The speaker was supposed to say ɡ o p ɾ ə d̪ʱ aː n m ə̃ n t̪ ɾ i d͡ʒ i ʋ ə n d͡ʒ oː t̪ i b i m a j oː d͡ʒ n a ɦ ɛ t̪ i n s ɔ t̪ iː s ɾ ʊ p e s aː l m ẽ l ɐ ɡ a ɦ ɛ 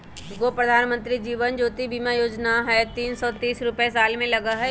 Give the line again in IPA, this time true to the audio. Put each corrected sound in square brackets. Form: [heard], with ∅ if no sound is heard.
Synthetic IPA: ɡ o p ɾ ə d̪ʱ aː n m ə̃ n t̪ ɾ i d͡ʒ [iː] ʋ ə n d͡ʒ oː t̪ i b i m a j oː d͡ʒ n a ɦ ɛ t̪ [iː] n s ɔ t̪ iː s ɾ ʊ p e s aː l m ẽ l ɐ ɡ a ɦ ɛ